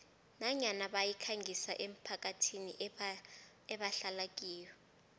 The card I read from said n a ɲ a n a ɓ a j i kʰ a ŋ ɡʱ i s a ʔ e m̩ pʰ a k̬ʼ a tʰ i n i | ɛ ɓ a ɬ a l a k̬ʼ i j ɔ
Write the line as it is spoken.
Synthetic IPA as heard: n a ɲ a n a ɓ a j i kʰ a ŋ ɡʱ i s a ʔ e m̩ pʰ a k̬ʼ a tʰ i n i | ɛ ɓ a ɬ a l a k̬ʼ iː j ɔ